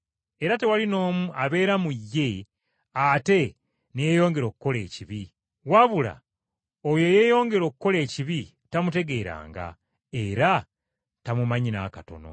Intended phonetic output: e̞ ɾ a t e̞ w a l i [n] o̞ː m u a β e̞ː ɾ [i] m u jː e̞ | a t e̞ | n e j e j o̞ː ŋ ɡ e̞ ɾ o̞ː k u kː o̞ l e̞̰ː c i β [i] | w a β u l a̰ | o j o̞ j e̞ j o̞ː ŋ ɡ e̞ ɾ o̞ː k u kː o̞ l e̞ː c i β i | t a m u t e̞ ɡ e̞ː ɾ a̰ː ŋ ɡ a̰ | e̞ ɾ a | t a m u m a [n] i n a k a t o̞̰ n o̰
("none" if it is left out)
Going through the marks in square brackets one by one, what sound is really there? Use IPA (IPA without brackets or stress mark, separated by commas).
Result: n, a, i, ɲ